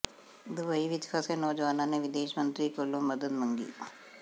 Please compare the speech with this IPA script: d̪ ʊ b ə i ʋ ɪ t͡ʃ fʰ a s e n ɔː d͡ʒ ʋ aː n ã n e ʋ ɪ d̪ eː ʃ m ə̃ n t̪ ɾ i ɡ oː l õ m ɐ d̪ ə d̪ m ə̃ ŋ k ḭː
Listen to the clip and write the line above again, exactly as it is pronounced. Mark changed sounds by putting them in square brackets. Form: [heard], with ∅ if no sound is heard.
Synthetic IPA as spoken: d̪ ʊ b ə i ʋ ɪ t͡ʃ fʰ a s e n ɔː d͡ʒ ʋ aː n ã n e ʋ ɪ d̪ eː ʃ m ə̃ n t̪ ɾ i [k] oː l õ m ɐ d̪ ə d̪ m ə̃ ŋ [ɡ] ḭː

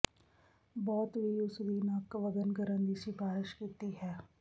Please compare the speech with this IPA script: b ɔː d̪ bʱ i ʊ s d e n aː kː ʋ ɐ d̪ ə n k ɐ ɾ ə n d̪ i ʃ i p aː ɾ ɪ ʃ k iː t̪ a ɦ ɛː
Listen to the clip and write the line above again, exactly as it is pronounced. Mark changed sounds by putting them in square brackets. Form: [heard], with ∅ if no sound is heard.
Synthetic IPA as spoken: b ɔː [t̪] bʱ i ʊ s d [i] n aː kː ʋ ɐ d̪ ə n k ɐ ɾ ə n d̪ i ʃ i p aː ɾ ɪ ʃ k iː t̪ [i] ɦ ɛː

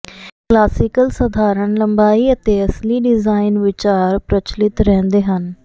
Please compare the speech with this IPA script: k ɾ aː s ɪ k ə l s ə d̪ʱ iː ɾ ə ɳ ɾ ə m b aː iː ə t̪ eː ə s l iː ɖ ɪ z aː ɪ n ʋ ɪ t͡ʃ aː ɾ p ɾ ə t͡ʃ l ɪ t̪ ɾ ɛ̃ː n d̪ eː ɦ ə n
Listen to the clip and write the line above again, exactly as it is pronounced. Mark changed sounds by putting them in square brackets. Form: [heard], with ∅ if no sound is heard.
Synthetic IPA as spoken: k [l] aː s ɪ k ə l s ə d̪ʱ [aː] ɾ ə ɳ [l] ə m b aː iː ə t̪ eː ə s l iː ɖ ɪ z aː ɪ n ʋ ɪ t͡ʃ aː ɾ p ɾ ə t͡ʃ l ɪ t̪ ɾ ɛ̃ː n d̪ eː ɦ ə n

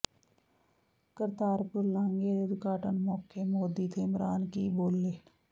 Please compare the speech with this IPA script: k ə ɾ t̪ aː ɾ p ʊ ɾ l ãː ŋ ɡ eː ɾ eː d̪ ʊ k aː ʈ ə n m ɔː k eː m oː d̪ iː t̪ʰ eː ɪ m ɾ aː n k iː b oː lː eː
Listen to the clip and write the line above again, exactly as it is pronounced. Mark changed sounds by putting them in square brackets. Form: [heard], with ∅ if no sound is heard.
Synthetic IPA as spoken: k ə ɾ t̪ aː ɾ p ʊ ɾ l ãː ŋ ɡ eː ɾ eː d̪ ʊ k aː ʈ ə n m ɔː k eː m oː d̪ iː t̪ʰ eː ɪ m ɾ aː n k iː b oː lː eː

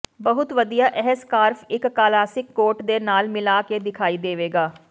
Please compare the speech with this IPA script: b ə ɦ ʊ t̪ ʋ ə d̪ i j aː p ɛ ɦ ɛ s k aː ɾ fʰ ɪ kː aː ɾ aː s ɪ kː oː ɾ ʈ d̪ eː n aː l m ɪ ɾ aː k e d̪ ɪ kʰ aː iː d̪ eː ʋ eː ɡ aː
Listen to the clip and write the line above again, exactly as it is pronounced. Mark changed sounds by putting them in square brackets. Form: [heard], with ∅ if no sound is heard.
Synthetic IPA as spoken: b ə ɦ ʊ t̪ ʋ ə d̪ i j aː [ʔ] ɛ ɦ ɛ s k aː ɾ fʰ ɪ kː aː [l] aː s ɪ kː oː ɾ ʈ d̪ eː n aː l m ɪ [l] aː k e d̪ ɪ kʰ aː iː d̪ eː ʋ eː ɡ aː

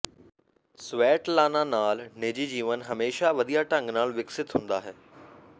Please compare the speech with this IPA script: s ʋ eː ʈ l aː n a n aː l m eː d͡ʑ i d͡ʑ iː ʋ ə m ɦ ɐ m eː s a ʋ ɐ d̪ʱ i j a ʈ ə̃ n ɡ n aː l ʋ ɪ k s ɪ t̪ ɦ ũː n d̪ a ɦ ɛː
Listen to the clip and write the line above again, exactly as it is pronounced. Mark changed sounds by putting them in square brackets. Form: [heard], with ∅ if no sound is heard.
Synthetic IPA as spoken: s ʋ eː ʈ l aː n a n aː l [n] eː d͡ʑ i d͡ʑ iː ʋ ə [n] ɦ ɐ m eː [ʃ] a ʋ ɐ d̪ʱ i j a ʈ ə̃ [ŋ] ɡ n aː l ʋ ɪ k s ɪ t̪ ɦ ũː n d̪ a ɦ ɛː

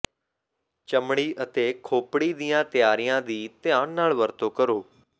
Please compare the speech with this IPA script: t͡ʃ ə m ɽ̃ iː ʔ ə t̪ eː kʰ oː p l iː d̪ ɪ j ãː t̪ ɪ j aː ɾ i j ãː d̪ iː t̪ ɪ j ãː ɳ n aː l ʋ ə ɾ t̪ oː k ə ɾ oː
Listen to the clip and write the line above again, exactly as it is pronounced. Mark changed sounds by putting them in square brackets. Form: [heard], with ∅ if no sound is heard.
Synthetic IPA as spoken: t͡ʃ ə m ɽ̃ iː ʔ ə t̪ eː kʰ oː p [ɽ] iː d̪ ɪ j ãː t̪ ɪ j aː ɾ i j ãː d̪ iː t̪ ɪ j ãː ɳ n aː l ʋ ə ɾ t̪ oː k ə ɾ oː

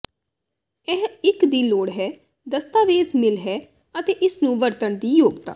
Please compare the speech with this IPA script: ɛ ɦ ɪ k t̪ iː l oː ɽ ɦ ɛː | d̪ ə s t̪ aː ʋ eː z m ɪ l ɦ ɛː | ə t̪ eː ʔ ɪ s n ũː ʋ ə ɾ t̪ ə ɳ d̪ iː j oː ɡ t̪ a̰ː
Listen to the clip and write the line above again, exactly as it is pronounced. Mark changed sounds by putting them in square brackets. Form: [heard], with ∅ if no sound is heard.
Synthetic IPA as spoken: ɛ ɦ ɪ k [d̪] iː l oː ɽ ɦ ɛː | d̪ ə s t̪ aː ʋ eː z m ɪ l ɦ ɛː | ə t̪ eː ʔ ɪ s n ũː ʋ ə ɾ t̪ ə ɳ d̪ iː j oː ɡ t̪ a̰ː

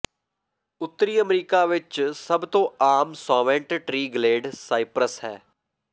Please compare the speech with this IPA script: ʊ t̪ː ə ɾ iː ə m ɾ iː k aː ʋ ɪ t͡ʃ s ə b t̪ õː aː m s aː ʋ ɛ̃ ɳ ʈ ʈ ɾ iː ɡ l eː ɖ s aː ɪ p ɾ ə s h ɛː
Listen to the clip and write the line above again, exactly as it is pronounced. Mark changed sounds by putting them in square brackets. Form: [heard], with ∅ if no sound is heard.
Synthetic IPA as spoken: ʊ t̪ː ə ɾ iː ə m ɾ iː k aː ʋ ɪ t͡ʃ s ə b t̪ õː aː m s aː ʋ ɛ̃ ɳ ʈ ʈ ɾ iː ɡ l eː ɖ s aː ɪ p ɾ ə s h ɛː

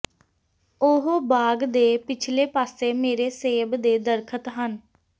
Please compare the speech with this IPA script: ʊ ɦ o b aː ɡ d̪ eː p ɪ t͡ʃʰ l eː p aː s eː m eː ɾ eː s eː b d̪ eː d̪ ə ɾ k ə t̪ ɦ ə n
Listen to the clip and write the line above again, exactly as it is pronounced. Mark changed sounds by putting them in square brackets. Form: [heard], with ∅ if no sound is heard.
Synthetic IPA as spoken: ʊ ɦ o b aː ɡ d̪ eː p ɪ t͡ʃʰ l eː p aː s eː m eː ɾ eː s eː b d̪ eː d̪ ə ɾ [kʰ] ə t̪ ɦ ə n

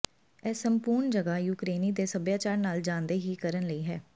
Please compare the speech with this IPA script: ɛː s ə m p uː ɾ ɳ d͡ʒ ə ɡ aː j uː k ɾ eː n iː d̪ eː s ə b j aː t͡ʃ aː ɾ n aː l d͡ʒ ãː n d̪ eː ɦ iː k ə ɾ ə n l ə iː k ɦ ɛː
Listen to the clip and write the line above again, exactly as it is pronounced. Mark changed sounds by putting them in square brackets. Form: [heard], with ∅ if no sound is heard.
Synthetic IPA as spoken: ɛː s ə m p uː ɾ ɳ d͡ʒ ə ɡ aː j uː k ɾ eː n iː d̪ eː s ə b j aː t͡ʃ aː ɾ n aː l d͡ʒ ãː n d̪ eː ɦ iː k ə ɾ ə n l ə iː [∅] ɦ ɛː

